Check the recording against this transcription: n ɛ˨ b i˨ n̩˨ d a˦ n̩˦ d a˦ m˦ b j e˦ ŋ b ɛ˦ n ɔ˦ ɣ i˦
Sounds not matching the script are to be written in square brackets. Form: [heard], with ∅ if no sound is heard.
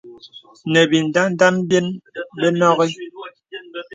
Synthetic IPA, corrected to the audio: n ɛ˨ b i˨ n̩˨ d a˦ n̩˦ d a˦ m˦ b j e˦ [n] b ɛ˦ n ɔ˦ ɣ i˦